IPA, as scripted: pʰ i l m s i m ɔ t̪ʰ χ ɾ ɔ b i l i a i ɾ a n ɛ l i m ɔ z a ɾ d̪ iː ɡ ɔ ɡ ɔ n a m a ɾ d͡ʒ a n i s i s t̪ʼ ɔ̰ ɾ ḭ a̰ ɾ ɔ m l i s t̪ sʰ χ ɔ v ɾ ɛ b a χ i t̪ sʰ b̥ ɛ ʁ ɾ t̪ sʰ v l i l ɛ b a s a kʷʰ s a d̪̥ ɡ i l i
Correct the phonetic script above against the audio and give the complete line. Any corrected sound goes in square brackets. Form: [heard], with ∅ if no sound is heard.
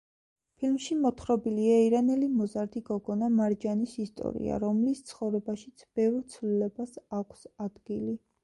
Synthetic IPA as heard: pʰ i l m [ʃ] i m ɔ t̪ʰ χ ɾ ɔ b i l i a i ɾ a n ɛ l i m ɔ z a ɾ d̪ [i] ɡ ɔ ɡ ɔ n a m a ɾ d͡ʒ a n i s i s t̪ʼ ɔ̰ ɾ ḭ a̰ ɾ ɔ m l i s t̪ sʰ χ ɔ v ɾ ɛ b a [ʃ] i t̪ sʰ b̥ ɛ [v] ɾ t̪ sʰ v l i l ɛ b a s a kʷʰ s a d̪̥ ɡ i l i